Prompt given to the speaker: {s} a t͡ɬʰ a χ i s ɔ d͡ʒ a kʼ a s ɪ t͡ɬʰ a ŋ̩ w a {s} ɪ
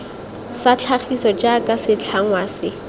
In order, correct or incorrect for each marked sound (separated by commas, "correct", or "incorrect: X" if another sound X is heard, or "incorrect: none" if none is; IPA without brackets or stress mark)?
correct, correct